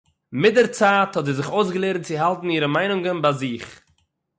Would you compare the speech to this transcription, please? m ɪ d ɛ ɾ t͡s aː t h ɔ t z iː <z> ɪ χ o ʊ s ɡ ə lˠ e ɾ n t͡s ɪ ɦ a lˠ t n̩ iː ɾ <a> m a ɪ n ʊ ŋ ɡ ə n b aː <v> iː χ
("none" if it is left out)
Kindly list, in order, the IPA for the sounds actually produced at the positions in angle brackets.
z, ə, z

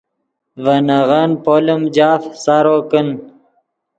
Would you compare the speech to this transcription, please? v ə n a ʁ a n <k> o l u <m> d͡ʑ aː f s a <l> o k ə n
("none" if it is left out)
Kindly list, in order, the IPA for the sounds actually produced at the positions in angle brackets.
p, m, ɾ

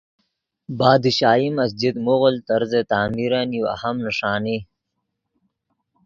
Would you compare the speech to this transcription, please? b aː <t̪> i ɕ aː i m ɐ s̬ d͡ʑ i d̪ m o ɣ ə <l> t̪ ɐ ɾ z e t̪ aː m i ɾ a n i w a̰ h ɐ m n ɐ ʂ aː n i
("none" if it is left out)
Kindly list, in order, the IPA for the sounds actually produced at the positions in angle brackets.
d̪, l

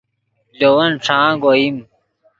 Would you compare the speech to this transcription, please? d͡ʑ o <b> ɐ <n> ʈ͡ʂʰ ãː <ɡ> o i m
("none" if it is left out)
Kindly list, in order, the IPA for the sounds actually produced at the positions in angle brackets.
w, n, ɡ

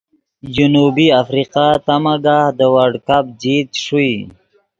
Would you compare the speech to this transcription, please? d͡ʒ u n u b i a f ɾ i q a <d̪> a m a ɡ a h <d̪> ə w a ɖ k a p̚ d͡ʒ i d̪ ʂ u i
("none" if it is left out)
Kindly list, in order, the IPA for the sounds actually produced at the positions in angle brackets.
t̪, d̪

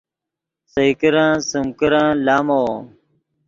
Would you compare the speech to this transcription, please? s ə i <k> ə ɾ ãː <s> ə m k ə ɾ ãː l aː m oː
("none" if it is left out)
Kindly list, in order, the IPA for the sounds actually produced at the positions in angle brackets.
k, s

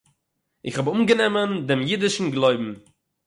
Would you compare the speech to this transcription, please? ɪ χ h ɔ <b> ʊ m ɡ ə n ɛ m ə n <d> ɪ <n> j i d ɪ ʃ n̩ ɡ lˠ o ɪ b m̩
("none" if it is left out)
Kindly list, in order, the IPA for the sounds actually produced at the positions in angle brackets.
b, d, m

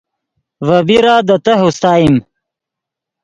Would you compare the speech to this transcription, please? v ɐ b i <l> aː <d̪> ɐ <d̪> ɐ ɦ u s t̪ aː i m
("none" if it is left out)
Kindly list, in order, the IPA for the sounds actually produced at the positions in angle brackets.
ɾ, d̪, t̪

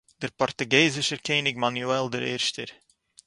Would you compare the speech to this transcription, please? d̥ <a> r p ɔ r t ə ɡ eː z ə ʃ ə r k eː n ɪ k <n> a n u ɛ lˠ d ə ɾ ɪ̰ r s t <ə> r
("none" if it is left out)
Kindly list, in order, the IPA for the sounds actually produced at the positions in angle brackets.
ə, m, ə

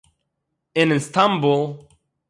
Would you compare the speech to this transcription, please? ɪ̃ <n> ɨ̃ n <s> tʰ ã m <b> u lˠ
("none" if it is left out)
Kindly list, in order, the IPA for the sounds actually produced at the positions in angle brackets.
n, s, b

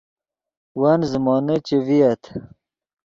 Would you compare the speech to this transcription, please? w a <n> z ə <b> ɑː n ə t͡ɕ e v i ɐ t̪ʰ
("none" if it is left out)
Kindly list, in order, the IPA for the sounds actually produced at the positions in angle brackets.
n, m

